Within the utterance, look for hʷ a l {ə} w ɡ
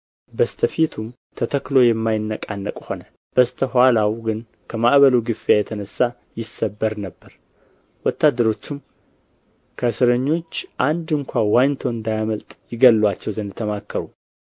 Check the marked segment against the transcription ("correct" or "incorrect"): incorrect